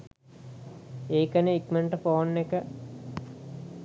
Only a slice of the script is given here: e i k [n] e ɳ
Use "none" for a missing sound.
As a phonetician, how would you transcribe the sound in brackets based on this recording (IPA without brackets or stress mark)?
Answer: m